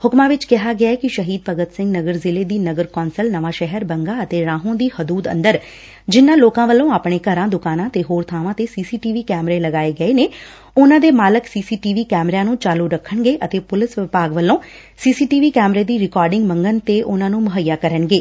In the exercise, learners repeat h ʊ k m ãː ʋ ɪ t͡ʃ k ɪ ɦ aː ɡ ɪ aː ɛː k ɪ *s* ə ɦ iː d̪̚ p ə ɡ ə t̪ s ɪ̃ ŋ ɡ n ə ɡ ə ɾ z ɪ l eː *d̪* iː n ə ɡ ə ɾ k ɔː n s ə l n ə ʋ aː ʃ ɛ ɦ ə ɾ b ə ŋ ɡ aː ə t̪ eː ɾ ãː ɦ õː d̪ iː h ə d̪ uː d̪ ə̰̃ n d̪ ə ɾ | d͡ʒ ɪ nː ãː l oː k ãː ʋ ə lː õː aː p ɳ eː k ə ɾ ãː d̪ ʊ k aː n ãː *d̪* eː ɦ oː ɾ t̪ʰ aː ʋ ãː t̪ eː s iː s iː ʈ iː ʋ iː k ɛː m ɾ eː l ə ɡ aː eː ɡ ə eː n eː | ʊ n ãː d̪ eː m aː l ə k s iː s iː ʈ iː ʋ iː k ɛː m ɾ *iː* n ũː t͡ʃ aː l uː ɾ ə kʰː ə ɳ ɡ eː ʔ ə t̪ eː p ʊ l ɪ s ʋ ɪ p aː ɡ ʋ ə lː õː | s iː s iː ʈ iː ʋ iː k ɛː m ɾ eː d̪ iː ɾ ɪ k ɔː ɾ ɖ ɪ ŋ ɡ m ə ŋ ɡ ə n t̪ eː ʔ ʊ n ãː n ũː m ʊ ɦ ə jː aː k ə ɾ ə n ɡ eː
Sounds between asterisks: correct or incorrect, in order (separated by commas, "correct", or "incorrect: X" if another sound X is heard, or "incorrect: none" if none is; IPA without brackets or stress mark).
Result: incorrect: ʃ, correct, incorrect: t̪, incorrect: aː